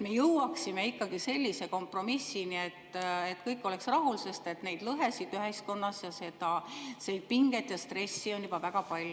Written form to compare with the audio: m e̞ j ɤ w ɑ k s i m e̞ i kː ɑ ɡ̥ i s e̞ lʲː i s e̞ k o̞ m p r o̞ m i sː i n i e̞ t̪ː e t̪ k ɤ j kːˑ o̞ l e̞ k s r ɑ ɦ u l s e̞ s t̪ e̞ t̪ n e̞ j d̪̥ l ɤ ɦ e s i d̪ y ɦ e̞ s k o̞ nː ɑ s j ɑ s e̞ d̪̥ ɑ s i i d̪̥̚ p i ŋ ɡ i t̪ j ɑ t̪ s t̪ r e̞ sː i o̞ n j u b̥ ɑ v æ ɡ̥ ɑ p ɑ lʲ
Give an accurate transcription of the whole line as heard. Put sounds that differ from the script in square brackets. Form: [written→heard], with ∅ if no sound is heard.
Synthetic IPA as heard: m e̞ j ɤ w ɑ k s i m e̞ i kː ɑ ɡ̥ i s e̞ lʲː i s e̞ k o̞ m p r o̞ m i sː i n i e̞ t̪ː e t̪ k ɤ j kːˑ o̞ l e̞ k s r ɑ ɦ u l s e̞ s t̪ e̞ t̪ n e̞ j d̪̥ l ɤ ɦ e s i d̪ y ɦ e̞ s k o̞ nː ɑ s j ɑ s e̞ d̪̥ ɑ s [i→e] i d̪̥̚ p i ŋ ɡ [i→e] t̪ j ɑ [t̪→∅] s t̪ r e̞ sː i o̞ n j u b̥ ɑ v æ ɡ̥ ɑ p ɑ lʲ